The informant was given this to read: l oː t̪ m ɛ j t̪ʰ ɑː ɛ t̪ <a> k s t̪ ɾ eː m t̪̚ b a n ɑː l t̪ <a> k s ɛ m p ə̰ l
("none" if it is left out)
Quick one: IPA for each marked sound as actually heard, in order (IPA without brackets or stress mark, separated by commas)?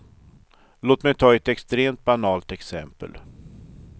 ɛ, ɛ